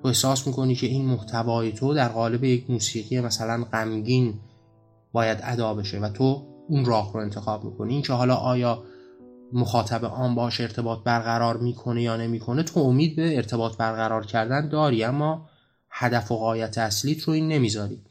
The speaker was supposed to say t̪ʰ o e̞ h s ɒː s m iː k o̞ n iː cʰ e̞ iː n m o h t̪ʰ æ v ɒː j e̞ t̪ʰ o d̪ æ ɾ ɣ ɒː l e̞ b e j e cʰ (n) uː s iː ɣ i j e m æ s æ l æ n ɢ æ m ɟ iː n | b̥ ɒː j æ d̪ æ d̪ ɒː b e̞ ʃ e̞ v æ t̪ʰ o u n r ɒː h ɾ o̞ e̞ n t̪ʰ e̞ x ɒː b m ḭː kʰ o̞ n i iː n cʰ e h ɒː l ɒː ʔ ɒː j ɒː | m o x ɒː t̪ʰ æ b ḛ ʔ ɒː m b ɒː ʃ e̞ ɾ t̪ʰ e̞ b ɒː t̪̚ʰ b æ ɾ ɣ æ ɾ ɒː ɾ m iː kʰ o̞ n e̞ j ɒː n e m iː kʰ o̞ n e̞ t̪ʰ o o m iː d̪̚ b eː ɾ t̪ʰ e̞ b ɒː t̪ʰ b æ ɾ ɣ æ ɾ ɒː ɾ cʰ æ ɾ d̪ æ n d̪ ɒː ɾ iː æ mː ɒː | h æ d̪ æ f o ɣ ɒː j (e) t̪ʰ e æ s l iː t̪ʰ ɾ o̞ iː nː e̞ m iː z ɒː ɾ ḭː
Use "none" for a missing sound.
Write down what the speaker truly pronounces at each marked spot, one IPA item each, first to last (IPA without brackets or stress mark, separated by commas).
m, æ